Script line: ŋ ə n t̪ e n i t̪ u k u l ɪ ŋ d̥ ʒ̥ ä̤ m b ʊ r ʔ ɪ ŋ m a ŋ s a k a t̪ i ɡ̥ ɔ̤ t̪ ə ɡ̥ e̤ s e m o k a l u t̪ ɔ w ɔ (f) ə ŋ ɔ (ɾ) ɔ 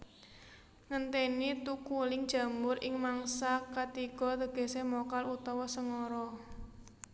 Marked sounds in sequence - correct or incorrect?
incorrect: s, correct

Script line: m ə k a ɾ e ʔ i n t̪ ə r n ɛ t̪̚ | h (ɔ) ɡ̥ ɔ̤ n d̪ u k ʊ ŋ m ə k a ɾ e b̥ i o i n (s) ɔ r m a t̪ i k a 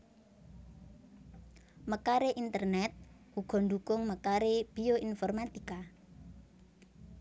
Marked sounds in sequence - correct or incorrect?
incorrect: u, incorrect: f

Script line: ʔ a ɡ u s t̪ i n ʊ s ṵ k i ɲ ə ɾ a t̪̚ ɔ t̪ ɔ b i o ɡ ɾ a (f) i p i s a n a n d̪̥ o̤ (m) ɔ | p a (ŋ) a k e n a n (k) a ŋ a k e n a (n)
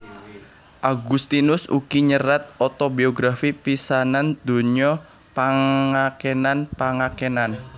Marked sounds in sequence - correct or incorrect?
correct, incorrect: ɲ, correct, incorrect: p, correct

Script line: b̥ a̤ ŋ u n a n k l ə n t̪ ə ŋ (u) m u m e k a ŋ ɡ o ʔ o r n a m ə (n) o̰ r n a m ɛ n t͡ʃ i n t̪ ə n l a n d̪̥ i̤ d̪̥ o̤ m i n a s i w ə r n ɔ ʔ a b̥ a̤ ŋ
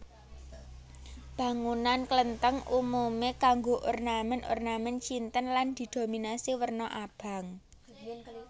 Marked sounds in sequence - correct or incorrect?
correct, correct

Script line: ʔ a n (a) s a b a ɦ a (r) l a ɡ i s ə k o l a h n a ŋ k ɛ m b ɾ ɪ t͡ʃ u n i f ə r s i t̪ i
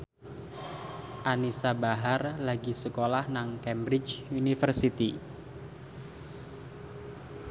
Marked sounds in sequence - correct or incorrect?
incorrect: i, correct

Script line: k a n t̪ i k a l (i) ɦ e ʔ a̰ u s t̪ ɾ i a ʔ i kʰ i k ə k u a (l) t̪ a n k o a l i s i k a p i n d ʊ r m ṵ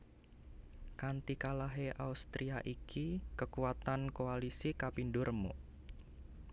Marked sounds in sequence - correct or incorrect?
incorrect: a, incorrect: none

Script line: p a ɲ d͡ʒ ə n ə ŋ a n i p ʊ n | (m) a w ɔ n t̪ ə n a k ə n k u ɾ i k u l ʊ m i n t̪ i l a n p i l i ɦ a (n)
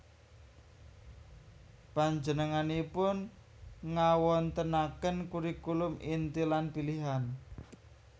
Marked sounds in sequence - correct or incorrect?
incorrect: ŋ, correct

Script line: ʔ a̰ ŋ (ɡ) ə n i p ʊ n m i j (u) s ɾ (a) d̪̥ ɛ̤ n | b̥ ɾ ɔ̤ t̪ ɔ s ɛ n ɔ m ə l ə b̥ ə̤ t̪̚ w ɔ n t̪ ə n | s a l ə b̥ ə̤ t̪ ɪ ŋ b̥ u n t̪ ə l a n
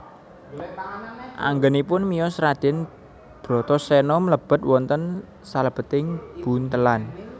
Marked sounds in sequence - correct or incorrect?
correct, incorrect: ɔ, correct

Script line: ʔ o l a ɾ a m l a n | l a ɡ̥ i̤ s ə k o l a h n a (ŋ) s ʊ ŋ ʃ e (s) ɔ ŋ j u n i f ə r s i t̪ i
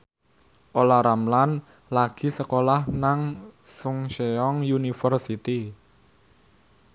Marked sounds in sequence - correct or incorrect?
correct, incorrect: none

